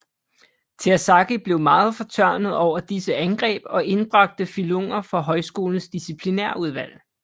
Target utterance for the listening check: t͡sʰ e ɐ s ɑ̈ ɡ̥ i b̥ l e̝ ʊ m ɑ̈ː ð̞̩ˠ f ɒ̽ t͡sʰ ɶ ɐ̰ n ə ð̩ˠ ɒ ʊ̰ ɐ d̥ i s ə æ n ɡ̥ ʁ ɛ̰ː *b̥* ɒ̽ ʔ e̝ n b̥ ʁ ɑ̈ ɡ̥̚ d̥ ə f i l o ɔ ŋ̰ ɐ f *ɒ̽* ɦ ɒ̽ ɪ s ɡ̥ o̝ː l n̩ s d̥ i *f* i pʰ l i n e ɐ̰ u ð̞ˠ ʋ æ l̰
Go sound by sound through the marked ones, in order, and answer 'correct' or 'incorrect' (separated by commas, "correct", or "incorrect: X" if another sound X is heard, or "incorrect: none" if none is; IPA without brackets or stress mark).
correct, correct, incorrect: s